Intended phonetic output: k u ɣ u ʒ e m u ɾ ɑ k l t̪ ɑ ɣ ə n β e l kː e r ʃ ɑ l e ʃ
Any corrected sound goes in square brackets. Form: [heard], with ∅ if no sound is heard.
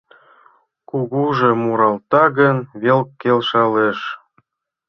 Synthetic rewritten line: k u ɣ u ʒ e m u ɾ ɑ [∅] l t̪ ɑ ɣ ə n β e l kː e [l] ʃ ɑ l e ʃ